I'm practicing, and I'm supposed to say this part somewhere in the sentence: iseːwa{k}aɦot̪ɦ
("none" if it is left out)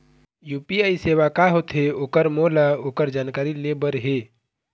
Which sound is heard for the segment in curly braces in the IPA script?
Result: k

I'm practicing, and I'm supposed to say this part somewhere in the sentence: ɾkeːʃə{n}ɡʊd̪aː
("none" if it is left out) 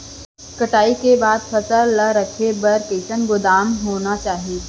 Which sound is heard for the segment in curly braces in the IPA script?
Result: n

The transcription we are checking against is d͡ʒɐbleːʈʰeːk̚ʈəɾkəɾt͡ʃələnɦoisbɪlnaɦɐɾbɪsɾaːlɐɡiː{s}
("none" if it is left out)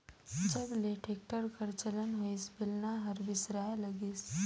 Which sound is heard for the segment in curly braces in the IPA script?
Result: s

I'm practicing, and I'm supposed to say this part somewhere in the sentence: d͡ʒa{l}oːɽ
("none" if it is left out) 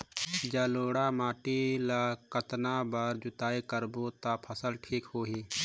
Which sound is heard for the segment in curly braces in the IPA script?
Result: l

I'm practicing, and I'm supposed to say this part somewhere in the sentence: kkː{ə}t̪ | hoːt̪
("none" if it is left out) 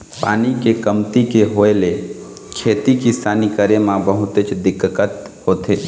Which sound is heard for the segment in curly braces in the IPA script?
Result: ə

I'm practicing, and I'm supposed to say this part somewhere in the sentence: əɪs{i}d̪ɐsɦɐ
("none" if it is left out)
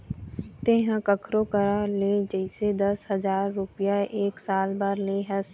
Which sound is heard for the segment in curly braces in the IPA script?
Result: e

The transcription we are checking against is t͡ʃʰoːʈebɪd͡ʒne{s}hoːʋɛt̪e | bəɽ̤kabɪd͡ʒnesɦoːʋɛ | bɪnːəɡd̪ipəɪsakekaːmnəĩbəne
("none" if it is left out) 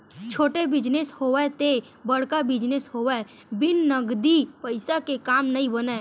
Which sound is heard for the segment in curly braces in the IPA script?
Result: s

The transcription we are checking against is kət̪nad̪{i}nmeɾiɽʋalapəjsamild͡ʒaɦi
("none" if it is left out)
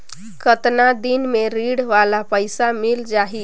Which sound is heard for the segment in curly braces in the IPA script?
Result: i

